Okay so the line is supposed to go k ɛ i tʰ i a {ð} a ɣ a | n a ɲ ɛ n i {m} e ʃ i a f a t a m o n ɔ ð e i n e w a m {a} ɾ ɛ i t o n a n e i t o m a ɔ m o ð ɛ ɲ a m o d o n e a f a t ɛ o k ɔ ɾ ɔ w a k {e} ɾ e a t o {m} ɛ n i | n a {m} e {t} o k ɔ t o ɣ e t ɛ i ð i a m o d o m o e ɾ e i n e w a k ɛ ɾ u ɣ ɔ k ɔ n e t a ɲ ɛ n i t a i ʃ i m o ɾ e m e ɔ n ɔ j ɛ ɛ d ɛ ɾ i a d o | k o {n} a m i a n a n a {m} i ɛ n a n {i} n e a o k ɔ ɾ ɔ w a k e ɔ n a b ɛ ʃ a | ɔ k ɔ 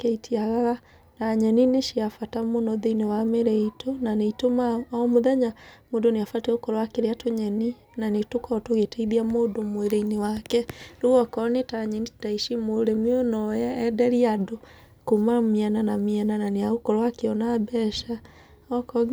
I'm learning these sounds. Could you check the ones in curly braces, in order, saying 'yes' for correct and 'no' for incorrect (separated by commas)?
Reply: no, no, no, yes, no, no, yes, no, yes, no